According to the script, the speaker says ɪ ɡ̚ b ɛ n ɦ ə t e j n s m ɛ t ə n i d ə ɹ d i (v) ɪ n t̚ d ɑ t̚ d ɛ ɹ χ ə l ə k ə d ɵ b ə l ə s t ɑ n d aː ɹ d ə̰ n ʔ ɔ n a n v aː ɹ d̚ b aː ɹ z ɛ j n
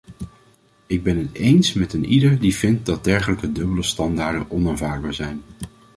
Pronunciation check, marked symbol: correct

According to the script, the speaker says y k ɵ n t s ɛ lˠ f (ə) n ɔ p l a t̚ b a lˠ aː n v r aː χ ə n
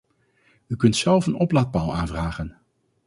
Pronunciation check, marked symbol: correct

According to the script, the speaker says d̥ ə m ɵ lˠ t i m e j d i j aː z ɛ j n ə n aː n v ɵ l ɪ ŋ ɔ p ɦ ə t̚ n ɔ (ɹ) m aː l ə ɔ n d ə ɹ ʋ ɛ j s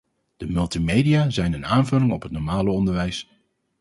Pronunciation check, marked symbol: correct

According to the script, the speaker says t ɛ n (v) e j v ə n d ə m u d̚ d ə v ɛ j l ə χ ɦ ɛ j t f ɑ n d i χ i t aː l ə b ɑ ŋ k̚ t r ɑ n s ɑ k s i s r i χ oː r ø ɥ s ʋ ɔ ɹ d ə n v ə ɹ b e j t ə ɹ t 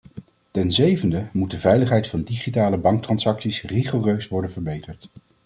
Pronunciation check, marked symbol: incorrect: z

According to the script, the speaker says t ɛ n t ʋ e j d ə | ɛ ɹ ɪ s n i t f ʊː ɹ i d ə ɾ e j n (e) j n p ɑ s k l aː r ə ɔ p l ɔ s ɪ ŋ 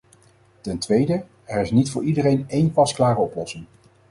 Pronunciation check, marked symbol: correct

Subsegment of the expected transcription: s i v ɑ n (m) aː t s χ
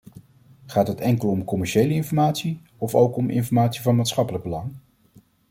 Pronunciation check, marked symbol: correct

